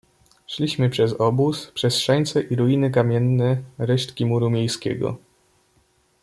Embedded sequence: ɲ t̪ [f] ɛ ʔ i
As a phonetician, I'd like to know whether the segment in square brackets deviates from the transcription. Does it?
yes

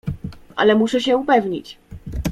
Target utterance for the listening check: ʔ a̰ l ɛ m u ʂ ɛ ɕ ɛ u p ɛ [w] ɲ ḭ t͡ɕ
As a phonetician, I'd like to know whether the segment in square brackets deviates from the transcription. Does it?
yes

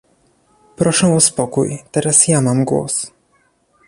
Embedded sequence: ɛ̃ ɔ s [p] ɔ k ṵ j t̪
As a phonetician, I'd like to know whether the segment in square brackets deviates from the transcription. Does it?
no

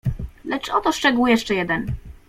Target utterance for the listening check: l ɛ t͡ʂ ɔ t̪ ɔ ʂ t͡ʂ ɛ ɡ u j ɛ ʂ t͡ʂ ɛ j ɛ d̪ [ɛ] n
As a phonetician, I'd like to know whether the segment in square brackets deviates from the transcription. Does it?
no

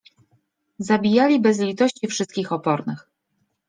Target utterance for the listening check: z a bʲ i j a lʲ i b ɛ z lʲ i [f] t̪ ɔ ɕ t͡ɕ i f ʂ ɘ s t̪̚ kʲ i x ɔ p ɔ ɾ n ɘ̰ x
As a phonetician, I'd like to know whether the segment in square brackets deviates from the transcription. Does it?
yes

